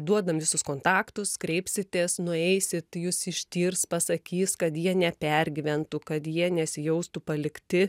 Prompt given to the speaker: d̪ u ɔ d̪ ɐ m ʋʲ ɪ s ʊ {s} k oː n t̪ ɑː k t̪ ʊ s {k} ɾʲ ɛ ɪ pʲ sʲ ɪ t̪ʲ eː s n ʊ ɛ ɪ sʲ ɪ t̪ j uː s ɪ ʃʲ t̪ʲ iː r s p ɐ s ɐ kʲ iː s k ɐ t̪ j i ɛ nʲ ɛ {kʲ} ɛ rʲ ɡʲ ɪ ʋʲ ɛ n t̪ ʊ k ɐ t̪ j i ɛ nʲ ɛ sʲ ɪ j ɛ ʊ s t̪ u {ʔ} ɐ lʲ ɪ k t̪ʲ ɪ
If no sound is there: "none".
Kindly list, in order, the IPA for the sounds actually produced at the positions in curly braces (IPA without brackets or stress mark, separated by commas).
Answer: s, k, pʲ, p